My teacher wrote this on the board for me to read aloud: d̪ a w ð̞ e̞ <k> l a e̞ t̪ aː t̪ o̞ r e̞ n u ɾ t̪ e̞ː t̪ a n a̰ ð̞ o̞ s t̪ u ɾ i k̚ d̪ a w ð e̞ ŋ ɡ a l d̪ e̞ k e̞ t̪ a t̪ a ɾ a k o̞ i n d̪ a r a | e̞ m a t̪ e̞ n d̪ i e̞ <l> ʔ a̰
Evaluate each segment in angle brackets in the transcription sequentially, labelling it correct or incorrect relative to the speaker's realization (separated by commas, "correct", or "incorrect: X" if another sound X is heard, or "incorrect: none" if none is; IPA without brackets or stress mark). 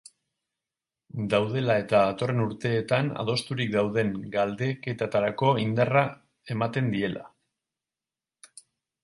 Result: incorrect: none, correct